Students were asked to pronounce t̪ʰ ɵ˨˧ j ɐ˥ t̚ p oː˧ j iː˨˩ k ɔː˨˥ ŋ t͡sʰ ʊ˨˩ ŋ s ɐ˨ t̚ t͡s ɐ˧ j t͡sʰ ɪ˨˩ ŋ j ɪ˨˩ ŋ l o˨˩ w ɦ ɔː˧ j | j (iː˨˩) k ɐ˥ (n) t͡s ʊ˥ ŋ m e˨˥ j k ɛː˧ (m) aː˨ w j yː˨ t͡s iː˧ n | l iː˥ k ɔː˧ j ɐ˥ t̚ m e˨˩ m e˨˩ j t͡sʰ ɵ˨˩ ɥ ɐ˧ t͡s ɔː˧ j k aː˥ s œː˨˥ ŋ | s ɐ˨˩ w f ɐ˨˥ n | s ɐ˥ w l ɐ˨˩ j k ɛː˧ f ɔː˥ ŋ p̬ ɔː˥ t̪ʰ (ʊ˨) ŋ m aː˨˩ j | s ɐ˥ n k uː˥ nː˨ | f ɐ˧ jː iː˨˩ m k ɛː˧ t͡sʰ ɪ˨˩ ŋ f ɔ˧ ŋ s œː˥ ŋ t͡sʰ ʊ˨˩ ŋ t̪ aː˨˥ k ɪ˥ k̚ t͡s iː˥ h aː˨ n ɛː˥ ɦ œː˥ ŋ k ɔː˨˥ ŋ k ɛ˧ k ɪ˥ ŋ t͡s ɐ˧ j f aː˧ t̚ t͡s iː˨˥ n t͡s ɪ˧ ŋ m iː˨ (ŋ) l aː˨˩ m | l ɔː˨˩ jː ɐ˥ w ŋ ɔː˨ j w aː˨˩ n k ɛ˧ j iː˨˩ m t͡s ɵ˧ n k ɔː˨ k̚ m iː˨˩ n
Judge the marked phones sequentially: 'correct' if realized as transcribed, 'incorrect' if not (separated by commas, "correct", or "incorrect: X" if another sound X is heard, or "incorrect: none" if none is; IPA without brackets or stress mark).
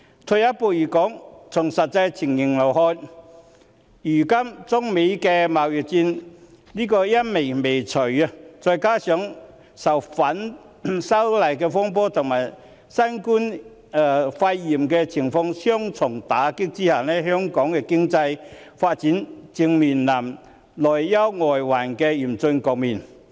incorrect: yː˨˩, incorrect: m, correct, correct, incorrect: n